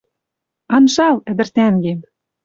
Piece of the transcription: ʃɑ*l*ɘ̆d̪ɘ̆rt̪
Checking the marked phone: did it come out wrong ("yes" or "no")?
no